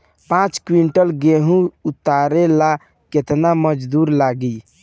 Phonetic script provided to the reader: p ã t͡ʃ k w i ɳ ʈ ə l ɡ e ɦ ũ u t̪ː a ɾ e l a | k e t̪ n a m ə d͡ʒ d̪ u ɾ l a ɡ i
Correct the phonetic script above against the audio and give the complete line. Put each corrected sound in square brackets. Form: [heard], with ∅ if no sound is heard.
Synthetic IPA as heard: p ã t͡ʃ k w i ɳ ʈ ə l ɡ e ɦ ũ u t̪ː a ɾ e l a | k e t̪ n a m ə d͡ʒ d̪ u ɾ l a ɡ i